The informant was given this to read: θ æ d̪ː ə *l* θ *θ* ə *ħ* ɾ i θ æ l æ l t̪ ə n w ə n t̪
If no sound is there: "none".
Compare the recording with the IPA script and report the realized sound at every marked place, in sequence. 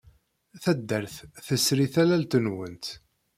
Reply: ɾ, θ, s

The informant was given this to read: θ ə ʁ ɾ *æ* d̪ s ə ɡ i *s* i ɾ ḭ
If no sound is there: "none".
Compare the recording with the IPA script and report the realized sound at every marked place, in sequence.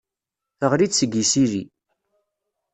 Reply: i, s

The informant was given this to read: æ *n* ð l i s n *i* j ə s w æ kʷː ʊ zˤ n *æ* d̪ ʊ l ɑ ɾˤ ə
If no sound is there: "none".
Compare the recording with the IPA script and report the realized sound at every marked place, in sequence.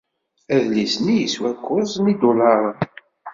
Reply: none, i, i

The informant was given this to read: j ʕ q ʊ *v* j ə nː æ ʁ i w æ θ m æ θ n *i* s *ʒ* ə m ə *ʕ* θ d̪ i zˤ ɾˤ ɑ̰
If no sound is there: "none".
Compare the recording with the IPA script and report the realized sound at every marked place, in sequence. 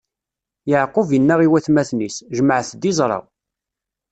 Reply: v, i, ʒ, ʕ

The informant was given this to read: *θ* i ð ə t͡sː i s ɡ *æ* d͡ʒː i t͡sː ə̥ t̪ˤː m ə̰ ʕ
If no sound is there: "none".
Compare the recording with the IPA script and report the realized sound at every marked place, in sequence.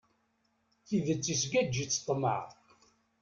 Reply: θ, æ

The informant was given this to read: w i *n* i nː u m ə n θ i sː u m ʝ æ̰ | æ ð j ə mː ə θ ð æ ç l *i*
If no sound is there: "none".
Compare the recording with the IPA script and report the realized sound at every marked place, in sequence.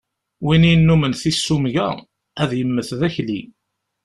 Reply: n, i

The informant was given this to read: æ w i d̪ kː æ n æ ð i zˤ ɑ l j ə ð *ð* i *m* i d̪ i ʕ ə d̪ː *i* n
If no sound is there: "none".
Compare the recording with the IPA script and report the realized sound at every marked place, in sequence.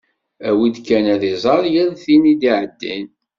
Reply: θ, n, i

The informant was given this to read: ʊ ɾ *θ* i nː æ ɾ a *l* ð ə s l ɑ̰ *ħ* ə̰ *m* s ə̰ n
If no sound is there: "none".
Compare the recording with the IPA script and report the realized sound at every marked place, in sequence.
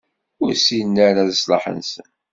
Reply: s, none, ħ, n

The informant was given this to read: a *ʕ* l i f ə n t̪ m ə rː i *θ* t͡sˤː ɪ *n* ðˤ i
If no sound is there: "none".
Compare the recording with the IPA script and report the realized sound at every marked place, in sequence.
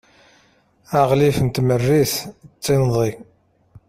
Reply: ʁ, θ, n

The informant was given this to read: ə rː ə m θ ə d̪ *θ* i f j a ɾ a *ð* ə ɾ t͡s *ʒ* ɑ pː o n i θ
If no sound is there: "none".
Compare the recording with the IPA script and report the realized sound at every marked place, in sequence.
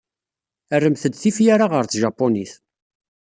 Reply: θ, ʁ, ʒ

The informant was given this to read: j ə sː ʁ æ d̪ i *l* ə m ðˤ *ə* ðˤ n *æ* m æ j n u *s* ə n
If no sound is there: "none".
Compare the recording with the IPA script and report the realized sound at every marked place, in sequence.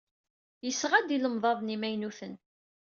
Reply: l, ɑ, i, θ

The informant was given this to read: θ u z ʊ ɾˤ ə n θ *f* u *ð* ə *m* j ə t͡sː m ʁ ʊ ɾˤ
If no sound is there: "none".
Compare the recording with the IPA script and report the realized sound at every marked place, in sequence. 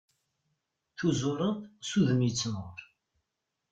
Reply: s, ð, m

